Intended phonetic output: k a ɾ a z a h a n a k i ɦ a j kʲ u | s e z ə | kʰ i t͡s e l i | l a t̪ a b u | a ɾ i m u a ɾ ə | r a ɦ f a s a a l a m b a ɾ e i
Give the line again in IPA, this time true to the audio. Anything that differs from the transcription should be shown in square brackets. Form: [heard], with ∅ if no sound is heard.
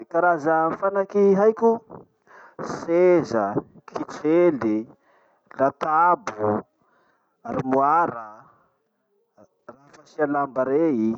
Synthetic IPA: k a ɾ a z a [f] a n a k i ɦ a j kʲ u | s e z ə | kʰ i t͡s e l i | l a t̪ a b u | a ɾ i m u a ɾ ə | r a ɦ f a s [i] a l a m b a ɾ e i